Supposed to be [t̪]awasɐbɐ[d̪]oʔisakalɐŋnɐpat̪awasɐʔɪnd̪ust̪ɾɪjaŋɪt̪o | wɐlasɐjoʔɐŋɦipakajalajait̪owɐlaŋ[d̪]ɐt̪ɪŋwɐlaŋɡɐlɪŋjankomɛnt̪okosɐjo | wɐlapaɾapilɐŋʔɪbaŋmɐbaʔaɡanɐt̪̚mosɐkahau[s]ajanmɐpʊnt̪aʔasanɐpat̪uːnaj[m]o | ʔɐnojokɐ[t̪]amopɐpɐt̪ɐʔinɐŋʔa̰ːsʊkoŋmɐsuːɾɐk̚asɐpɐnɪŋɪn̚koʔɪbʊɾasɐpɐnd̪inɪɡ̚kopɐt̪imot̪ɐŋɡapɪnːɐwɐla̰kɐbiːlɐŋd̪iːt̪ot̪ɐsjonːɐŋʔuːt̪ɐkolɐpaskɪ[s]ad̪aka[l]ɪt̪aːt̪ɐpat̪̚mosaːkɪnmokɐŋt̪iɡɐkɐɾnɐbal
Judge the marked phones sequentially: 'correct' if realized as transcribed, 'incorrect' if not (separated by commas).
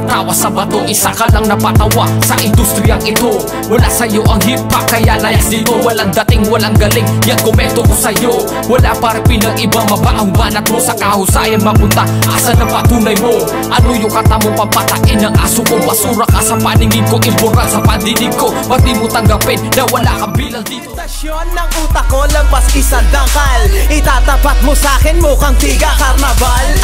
correct, incorrect, correct, correct, correct, correct, correct, correct